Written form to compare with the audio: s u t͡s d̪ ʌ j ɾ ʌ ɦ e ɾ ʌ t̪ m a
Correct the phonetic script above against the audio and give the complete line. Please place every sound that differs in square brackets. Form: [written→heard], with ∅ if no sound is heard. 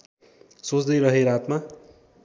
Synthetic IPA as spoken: s [u→o] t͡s d̪ ʌ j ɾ ʌ ɦ e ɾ [ʌ→a] t̪ m a